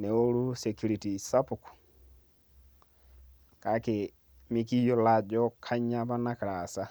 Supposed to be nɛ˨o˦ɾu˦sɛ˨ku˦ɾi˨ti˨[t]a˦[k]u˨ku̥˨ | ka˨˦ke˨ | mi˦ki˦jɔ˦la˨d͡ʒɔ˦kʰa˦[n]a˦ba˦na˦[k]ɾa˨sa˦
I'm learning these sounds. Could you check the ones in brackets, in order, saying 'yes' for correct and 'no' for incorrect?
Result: no, no, no, yes

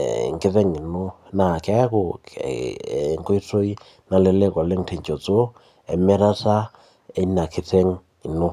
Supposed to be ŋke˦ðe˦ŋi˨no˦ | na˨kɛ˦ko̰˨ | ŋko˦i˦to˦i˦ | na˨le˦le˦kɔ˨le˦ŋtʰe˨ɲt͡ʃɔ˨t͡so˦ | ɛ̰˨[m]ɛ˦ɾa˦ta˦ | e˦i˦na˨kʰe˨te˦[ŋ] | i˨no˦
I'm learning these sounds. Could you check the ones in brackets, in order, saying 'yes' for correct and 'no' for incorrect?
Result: yes, yes

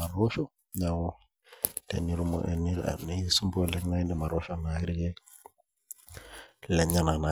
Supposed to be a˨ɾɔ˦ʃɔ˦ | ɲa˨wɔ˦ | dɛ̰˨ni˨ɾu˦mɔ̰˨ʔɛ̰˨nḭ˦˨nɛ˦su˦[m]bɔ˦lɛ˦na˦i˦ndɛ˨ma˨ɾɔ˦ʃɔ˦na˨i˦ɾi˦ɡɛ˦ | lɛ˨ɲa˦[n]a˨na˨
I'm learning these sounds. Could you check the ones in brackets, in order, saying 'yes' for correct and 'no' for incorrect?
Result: yes, yes

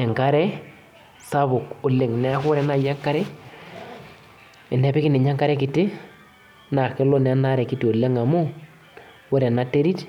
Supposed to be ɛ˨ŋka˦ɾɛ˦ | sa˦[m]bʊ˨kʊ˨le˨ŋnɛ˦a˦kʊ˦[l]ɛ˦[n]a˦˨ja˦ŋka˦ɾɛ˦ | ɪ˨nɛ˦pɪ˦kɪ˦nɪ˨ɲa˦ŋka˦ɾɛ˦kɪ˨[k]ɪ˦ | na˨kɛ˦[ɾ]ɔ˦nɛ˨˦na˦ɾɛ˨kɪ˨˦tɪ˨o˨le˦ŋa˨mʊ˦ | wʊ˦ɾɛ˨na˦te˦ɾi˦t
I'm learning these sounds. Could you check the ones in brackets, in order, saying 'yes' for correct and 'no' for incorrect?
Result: no, no, yes, no, no

